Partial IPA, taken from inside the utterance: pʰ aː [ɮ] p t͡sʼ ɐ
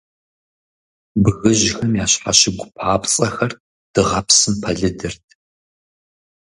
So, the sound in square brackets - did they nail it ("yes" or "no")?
no